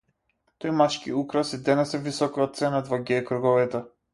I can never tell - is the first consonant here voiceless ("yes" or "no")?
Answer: yes